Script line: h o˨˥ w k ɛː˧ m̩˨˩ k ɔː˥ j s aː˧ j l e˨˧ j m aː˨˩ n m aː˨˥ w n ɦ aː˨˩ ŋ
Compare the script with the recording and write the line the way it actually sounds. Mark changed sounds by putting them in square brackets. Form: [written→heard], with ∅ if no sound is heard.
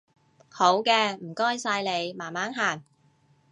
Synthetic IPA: h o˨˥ w k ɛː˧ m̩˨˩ k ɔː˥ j s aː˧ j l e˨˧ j m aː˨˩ n m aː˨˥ [w→∅] n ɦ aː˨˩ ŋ

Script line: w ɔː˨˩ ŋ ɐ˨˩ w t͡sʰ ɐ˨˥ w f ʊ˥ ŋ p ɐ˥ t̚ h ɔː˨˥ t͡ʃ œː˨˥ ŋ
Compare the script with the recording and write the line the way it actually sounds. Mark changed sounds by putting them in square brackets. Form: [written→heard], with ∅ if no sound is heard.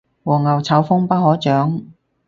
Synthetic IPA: w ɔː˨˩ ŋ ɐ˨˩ w t͡sʰ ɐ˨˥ w f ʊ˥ ŋ p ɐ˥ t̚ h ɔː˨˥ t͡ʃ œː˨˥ ŋ

